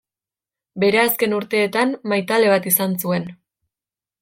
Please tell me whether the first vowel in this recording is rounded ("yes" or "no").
no